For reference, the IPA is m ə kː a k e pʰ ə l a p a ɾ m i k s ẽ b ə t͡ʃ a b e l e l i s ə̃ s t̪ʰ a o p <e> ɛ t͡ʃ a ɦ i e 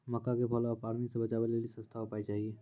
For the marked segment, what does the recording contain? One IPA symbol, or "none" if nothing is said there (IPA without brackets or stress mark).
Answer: a